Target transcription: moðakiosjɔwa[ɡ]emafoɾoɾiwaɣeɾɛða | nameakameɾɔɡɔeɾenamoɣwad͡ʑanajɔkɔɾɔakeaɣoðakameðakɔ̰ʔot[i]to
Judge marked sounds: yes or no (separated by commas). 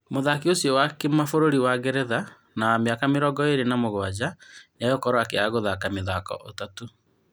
no, no